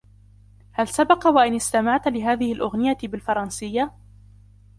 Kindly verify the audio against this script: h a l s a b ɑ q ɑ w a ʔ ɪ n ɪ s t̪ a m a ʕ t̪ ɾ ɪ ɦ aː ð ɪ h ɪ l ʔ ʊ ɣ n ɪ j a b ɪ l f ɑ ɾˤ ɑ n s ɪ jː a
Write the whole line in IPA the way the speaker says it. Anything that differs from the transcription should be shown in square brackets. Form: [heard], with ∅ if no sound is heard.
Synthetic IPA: h a l s a b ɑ q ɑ w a ʔ ɪ n ɪ s t̪ a m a ʕ t̪ [l] ɪ ɦ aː ð ɪ h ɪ l ʔ ʊ ɣ n ɪ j a b ɪ l f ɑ ɾˤ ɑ n s ɪ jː a